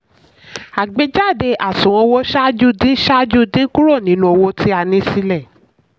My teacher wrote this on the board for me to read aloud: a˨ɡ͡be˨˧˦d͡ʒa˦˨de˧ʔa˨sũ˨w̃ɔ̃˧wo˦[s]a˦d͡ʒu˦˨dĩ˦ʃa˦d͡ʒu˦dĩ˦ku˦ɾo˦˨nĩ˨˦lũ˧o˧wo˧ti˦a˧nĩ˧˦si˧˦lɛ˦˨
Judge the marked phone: incorrect: ʃ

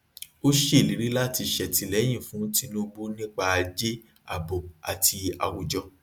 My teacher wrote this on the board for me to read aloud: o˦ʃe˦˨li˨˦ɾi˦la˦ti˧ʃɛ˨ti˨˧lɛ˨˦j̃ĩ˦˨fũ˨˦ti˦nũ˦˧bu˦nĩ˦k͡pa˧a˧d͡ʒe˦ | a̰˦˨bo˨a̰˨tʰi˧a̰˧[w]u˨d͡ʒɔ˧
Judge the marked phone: correct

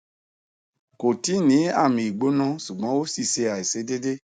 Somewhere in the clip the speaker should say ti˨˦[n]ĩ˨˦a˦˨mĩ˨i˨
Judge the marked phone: correct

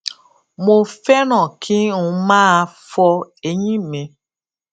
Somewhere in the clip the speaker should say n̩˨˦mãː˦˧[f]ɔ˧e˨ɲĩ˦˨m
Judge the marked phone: correct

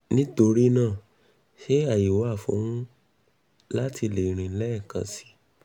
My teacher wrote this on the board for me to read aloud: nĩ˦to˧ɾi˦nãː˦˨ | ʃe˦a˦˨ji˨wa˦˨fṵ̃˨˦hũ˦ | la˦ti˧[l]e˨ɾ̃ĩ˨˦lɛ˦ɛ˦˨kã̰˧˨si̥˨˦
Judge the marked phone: correct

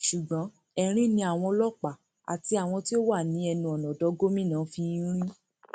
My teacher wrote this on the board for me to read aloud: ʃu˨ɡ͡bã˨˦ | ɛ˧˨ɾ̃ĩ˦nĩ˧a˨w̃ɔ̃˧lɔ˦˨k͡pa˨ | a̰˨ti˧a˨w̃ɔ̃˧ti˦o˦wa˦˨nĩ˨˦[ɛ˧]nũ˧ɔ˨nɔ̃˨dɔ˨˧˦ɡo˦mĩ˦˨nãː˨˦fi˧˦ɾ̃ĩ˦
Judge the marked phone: correct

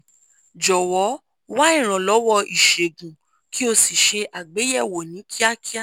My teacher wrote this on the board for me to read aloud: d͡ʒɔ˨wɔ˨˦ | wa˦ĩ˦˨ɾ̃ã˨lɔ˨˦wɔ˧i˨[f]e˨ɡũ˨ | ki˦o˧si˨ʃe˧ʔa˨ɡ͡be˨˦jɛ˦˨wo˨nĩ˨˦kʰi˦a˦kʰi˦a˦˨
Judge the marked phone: incorrect: ʃ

